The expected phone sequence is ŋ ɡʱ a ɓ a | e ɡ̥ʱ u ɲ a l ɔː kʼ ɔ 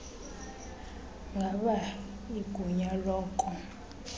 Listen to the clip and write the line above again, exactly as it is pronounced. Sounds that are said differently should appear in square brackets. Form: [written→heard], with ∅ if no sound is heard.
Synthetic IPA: ŋ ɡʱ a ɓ a | [e→i] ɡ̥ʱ u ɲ a l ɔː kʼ ɔ